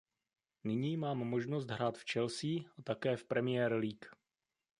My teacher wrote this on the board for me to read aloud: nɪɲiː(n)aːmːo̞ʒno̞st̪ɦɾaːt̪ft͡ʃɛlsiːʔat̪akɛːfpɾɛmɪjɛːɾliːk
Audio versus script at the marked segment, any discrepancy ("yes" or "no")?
yes